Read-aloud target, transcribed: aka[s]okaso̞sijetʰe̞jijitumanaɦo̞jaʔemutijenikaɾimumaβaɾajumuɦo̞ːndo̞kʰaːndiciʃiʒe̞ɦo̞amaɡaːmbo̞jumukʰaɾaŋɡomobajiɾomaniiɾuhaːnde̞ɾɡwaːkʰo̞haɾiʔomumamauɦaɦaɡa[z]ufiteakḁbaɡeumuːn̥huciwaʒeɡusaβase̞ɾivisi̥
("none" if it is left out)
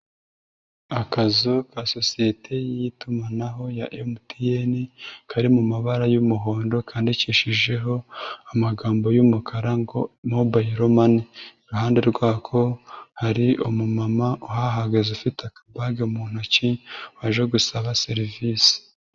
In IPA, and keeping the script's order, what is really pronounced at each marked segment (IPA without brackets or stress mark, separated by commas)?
z, z